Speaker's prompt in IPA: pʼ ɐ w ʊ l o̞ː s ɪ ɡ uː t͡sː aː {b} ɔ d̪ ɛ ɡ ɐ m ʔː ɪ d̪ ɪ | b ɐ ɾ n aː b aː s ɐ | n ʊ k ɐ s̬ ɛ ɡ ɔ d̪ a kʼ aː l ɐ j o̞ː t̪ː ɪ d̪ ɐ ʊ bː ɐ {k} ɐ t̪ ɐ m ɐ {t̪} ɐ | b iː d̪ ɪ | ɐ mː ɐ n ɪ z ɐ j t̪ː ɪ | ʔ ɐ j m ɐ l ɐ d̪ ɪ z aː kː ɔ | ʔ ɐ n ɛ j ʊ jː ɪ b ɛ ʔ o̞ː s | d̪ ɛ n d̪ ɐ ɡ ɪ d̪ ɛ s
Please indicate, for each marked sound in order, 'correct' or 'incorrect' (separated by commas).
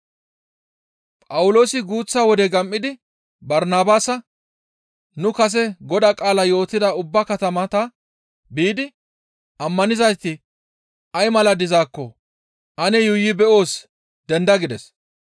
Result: incorrect, correct, correct